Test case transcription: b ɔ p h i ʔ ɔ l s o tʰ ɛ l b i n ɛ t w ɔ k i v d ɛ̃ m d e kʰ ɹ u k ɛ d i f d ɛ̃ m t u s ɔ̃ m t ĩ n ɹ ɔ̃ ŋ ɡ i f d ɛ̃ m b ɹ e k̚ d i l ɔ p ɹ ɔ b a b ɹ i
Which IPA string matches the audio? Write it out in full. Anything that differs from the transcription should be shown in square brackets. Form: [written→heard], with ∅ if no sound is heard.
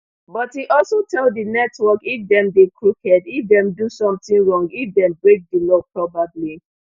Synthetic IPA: b ɔ [p→t] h i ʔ ɔ l s o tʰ ɛ l [b→d] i n ɛ t w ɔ k i [v→f] d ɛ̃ m d e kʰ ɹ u k ɛ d i f d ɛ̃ m [t→d] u s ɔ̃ m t ĩ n ɹ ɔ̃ ŋ ɡ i f d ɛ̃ m b ɹ e k̚ d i l ɔ p ɹ ɔ b a b [ɹ→l] i